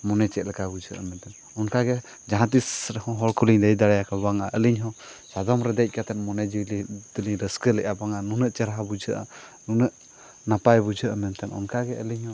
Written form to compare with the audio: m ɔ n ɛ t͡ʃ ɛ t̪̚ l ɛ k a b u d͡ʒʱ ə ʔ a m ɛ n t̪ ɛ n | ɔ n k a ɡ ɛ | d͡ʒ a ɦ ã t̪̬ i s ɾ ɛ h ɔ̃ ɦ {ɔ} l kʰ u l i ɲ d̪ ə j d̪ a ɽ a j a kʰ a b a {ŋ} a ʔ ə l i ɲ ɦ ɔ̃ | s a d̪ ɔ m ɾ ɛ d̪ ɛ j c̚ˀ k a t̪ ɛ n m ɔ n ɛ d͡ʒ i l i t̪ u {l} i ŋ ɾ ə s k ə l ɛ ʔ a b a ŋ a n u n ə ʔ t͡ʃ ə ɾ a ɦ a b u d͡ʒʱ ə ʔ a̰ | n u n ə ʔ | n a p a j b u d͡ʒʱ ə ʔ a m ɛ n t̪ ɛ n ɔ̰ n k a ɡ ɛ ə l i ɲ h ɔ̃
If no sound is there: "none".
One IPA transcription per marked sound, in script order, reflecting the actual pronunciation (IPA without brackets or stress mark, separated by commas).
ɔ, ŋ, l